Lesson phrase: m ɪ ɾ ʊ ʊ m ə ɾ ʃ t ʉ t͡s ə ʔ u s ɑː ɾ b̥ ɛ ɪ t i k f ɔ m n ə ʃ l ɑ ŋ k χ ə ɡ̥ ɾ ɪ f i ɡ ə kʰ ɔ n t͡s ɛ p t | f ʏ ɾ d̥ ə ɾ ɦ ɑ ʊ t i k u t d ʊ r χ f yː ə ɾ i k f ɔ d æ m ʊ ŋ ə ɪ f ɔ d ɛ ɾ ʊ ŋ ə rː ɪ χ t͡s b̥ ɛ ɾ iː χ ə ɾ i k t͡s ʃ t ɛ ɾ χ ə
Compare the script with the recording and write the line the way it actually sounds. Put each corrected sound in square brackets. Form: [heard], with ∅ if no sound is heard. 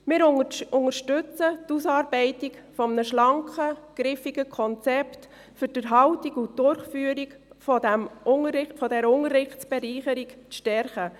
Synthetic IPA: m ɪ ɾ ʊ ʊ [ŋ] ə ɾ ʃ t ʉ t͡s ə [t] u s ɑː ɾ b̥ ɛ ɪ t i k f ɔ m n ə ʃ l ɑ ŋ k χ ə ɡ̥ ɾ ɪ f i ɡ ə kʰ ɔ n t͡s ɛ p t | f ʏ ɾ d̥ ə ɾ ɦ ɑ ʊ t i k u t d ʊ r χ f yː ə ɾ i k f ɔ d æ m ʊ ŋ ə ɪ f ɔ d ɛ ɾ ʊ ŋ ə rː ɪ χ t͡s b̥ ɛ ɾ iː χ ə ɾ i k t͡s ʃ t ɛ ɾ χ ə

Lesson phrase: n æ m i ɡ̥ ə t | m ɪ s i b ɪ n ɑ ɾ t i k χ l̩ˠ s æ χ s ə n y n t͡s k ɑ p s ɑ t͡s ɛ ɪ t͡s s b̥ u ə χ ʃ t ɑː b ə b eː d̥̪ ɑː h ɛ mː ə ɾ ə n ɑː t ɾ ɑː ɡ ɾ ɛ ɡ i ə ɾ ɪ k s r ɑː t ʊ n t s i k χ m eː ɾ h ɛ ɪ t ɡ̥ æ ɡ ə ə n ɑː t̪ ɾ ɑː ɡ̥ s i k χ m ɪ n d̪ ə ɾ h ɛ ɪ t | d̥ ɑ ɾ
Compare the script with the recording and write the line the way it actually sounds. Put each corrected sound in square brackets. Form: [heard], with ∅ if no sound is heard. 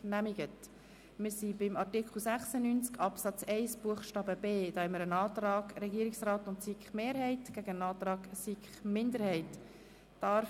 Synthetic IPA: n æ m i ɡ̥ ə t | m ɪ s i b ɪ [m] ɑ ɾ t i k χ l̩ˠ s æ χ s ə n y n t͡s k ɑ p s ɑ t͡s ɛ ɪ [∅] s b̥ u ə χ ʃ t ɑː b ə b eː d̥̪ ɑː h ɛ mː ə ɾ ə n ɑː t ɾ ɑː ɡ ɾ ɛ ɡ i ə ɾ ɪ k s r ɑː t ʊ n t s i k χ m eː ɾ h ɛ ɪ t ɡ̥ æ ɡ ə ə n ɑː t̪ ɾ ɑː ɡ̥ s i k χ m ɪ n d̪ ə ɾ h ɛ ɪ t | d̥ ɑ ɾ

